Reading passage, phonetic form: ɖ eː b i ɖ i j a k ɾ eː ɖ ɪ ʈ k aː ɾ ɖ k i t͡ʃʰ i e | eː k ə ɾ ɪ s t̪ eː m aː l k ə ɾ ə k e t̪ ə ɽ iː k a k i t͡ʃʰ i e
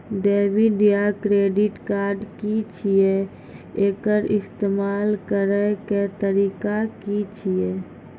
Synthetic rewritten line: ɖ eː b i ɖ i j a k ɾ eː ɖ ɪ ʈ k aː ɾ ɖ k i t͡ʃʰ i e | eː k ə ɾ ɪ s t̪ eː m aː l k ə ɾ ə k e t̪ ə ɾ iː k a k i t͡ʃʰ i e